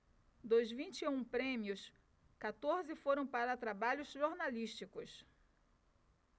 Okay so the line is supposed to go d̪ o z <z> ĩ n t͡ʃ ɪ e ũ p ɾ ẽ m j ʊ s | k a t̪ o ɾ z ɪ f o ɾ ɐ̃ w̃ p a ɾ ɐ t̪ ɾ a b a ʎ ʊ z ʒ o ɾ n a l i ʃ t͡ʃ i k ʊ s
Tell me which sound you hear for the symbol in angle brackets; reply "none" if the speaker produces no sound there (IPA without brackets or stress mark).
v